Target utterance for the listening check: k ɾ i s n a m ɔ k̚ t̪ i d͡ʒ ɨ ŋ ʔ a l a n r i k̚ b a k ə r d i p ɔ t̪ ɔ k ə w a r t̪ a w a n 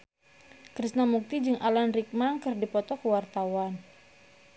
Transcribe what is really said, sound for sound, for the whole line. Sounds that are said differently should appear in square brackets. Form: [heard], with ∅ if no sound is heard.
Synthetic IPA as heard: k ɾ i s n a m [u] k̚ t̪ i d͡ʒ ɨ ŋ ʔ a l a n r i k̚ [m] a k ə r d i p ɔ t̪ ɔ k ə w a r t̪ a w a n